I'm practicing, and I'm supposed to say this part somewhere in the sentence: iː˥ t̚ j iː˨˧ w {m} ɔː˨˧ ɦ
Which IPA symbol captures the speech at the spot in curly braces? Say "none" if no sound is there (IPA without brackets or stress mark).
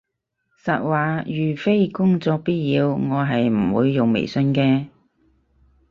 ŋ